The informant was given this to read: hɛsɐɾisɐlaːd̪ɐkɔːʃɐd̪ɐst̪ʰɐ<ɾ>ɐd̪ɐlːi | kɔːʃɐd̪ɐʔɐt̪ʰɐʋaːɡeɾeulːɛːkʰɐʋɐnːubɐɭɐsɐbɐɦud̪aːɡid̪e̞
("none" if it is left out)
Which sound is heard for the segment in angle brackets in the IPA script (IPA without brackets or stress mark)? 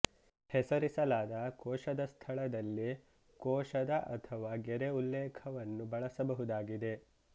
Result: ɭ